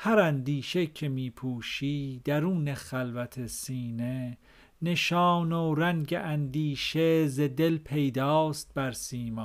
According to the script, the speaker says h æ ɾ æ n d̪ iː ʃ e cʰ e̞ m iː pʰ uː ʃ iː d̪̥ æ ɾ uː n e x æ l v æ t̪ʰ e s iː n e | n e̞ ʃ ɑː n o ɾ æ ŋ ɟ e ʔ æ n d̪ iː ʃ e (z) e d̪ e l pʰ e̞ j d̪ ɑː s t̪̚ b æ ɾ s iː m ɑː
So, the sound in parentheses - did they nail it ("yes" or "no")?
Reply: yes